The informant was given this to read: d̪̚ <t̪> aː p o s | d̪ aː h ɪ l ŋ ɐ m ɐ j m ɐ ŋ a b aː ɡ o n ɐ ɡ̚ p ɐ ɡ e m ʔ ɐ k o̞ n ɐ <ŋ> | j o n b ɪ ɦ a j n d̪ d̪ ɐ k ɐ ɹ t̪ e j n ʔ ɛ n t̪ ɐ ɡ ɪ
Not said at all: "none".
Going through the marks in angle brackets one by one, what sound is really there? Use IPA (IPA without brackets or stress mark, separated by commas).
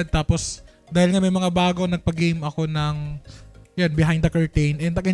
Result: t̪, ŋ